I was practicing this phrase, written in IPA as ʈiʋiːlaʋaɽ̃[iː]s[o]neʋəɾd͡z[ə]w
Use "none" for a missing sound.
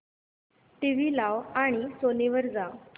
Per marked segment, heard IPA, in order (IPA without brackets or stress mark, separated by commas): i, o, a